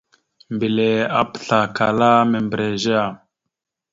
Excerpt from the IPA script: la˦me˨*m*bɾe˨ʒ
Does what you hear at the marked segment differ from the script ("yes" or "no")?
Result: no